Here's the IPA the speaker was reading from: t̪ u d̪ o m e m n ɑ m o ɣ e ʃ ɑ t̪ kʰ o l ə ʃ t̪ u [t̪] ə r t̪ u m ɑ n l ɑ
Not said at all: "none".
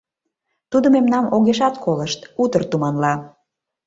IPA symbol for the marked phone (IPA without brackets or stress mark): t̪